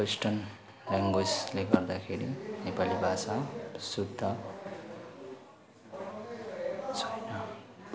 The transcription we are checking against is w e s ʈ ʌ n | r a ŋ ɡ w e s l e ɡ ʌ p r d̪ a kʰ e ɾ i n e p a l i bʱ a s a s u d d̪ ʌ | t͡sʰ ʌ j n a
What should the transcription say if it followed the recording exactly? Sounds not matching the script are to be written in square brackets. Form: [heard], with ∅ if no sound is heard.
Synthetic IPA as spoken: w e s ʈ ʌ n | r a ŋ ɡ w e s l e ɡ ʌ [∅] r d̪ a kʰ e ɾ i n e p a l i bʱ a s a s u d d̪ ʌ | t͡sʰ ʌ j n [ʌ]